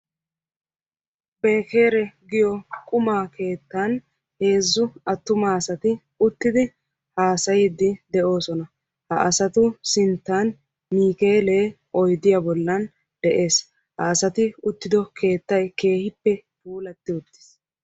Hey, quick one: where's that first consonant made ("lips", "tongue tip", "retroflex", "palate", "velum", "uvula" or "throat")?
lips